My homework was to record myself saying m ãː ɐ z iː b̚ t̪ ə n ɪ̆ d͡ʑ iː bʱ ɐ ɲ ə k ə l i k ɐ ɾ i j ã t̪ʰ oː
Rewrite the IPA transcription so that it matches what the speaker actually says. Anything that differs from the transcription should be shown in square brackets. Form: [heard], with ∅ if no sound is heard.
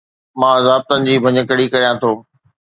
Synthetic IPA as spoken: m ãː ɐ z [aː] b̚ t̪ ə n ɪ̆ d͡ʑ iː bʱ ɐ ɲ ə k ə [ɽ] i k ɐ ɾ i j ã t̪ʰ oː